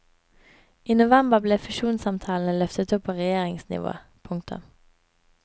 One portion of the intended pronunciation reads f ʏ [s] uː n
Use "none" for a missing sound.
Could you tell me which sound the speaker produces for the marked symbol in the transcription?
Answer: ʃ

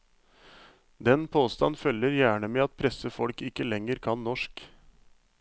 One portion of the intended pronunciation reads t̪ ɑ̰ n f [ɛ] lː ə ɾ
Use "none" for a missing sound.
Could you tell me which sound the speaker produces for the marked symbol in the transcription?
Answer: œ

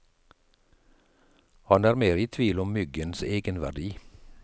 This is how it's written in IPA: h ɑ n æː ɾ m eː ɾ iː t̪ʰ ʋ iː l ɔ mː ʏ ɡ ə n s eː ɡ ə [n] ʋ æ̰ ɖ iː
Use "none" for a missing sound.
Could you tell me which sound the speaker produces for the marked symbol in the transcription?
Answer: n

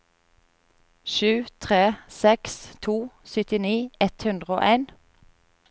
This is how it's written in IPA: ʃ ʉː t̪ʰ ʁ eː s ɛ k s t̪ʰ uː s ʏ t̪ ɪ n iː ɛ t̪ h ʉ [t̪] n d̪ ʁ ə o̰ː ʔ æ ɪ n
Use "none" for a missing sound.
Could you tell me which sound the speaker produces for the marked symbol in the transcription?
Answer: none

